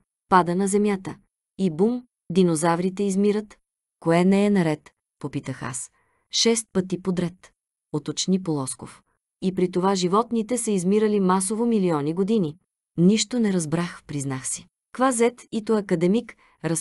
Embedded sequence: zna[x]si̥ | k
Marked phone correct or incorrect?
correct